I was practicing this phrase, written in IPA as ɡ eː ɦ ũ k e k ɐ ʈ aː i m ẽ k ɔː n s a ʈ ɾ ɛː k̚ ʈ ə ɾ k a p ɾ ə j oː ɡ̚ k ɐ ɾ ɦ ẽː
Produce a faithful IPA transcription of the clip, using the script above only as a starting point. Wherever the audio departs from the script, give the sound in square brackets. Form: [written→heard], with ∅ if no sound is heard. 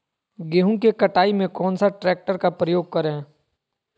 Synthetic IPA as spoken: ɡ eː ɦ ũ k e k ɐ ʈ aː i m ẽ k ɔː n s a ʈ ɾ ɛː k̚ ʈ ə ɾ k a p ɾ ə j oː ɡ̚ k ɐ ɾ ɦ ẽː